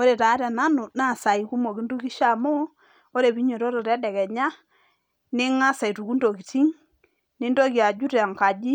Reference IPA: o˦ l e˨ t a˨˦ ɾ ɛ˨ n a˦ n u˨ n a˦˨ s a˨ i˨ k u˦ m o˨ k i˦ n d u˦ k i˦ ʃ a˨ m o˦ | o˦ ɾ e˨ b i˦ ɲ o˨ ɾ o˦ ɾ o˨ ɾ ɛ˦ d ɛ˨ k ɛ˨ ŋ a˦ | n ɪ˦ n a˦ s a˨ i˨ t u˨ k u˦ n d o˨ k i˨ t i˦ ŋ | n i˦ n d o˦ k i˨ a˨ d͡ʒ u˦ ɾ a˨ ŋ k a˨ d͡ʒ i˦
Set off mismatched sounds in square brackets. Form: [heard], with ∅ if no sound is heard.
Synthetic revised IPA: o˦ [ɾ] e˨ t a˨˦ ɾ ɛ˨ n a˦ n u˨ n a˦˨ s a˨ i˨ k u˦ m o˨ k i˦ n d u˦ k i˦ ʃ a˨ m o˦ | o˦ ɾ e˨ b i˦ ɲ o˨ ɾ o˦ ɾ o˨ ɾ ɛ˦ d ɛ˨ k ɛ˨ [ɲ] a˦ | n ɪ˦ [ŋ] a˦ s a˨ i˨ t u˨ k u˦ n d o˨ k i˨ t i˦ ŋ | n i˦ n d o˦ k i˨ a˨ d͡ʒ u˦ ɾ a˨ ŋ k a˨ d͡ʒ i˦